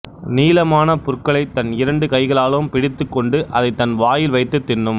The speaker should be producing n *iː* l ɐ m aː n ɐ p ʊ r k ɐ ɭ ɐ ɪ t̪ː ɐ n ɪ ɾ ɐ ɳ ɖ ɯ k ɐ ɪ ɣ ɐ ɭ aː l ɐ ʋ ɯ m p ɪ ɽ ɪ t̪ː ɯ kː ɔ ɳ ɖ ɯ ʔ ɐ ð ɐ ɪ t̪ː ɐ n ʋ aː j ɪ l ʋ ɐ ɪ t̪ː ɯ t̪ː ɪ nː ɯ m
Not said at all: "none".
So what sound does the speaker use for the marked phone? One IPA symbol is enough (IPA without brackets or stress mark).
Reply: iː